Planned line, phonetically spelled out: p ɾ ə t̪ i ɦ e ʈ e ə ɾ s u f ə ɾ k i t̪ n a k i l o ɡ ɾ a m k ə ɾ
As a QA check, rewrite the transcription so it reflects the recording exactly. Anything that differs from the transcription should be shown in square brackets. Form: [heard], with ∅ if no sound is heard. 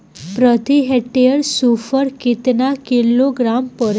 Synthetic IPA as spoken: p ɾ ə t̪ i ɦ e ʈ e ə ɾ s u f ə ɾ k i t̪ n a k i l o ɡ ɾ a m [p] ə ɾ